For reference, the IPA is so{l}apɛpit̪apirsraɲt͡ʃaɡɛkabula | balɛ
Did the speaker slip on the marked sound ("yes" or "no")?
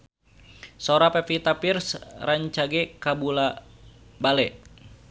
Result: yes